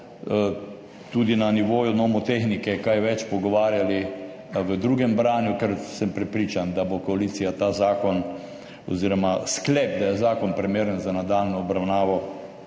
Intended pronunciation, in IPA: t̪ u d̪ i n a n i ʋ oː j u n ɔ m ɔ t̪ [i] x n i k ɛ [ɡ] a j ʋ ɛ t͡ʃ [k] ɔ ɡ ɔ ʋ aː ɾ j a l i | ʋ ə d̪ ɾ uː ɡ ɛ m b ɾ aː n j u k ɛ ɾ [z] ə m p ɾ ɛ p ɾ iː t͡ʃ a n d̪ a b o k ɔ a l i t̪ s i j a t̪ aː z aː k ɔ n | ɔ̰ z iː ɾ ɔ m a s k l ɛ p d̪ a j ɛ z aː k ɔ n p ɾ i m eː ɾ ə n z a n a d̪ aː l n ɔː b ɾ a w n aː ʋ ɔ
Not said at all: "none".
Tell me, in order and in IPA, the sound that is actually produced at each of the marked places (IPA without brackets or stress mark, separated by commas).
e, k, p, s